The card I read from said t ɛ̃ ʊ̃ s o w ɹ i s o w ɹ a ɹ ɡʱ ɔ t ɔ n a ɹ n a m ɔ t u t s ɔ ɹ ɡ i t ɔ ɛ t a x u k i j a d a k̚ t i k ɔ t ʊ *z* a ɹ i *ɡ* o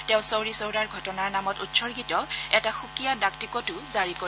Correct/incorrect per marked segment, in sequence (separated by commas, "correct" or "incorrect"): correct, incorrect